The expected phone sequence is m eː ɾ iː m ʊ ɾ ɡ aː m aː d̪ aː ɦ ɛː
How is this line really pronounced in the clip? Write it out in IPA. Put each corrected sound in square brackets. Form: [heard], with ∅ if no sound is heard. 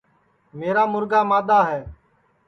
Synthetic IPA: m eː ɾ [aː] m ʊ ɾ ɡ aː m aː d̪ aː ɦ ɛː